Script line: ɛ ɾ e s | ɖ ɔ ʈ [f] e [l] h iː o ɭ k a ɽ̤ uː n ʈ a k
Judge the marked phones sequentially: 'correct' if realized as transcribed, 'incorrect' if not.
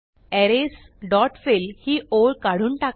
correct, correct

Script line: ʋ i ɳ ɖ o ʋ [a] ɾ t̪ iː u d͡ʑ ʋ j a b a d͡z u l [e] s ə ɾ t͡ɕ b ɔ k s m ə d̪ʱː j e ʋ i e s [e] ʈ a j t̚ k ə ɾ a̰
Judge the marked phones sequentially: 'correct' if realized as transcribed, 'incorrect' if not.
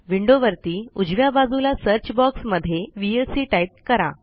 incorrect: ə, incorrect: a, incorrect: i

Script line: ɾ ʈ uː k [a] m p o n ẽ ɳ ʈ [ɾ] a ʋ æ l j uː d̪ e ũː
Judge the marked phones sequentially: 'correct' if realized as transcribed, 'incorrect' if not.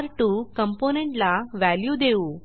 incorrect: ə, incorrect: l

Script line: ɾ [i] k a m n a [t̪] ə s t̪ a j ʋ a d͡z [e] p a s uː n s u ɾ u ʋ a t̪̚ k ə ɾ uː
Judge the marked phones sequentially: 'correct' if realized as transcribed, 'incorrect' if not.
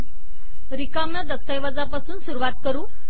correct, incorrect: d̪, incorrect: a

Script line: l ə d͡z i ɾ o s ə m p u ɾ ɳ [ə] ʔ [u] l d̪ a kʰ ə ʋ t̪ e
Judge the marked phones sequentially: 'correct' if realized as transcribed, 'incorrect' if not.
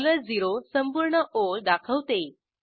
correct, incorrect: o

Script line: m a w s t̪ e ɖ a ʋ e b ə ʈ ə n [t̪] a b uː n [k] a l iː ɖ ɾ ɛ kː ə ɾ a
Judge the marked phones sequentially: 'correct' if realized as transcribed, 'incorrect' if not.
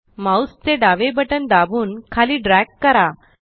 incorrect: d̪, incorrect: kʰ

